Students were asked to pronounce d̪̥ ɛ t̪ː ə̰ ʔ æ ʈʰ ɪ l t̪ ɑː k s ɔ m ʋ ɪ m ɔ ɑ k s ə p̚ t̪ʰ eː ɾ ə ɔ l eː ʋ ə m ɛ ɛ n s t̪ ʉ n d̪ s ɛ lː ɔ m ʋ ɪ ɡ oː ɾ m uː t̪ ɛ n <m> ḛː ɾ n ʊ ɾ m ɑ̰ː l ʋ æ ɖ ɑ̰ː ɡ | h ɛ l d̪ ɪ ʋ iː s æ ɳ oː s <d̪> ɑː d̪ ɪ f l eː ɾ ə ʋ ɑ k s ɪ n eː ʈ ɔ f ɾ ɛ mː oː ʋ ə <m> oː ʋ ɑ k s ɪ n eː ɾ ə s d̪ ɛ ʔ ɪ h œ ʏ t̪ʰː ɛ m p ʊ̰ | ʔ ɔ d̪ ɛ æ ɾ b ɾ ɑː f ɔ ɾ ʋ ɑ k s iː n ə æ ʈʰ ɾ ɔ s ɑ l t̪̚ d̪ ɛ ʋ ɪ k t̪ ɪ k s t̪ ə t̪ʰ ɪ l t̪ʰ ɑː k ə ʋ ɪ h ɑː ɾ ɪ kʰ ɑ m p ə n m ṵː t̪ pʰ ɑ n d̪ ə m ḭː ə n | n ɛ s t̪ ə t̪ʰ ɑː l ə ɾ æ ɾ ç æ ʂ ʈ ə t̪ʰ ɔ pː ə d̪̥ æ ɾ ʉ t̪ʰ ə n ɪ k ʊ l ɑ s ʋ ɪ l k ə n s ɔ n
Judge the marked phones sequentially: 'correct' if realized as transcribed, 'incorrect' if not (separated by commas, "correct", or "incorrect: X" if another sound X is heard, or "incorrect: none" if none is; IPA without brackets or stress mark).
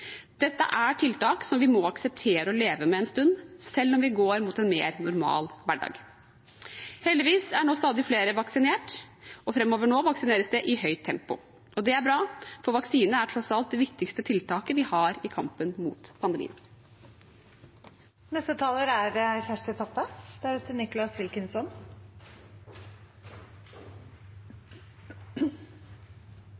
correct, incorrect: t̪, incorrect: ɳ